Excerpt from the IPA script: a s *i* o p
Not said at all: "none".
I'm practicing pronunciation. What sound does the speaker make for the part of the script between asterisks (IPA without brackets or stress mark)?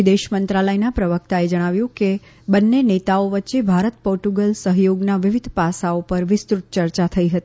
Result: a